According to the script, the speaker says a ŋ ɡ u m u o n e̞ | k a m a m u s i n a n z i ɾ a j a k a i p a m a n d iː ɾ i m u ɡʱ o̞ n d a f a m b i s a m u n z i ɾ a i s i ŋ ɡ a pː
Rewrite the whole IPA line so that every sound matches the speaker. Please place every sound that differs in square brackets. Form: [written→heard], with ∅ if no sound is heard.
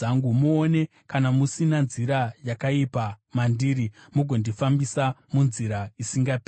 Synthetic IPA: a ŋ ɡ u m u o n e̞ | k a [m→n] a m u s i n a n z i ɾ a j a k a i p a m a n d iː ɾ i m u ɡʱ o̞ n d [a→i] f a m b i s a m u n z i ɾ a i s i ŋ ɡ a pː